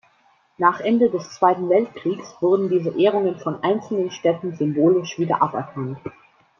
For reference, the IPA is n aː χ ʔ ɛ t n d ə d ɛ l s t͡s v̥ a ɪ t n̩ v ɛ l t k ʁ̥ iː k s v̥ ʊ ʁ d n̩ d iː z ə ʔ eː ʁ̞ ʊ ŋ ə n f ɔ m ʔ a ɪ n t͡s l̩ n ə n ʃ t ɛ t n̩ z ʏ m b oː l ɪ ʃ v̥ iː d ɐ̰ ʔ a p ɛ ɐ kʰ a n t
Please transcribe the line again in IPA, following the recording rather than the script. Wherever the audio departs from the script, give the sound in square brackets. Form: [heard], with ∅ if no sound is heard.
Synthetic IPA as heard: n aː χ ʔ ɛ [∅] n d ə d ɛ [∅] s t͡s v̥ a ɪ t n̩ v ɛ l t k ʁ̥ iː k s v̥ ʊ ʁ d n̩ d iː z ə ʔ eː ʁ̞ ʊ ŋ ə n f ɔ [n] ʔ a ɪ n t͡s l̩ n ə n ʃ t ɛ t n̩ z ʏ m b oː l ɪ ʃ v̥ iː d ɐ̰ ʔ a p ɛ ɐ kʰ a n t